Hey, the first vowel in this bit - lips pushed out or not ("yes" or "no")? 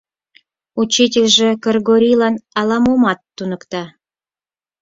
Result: yes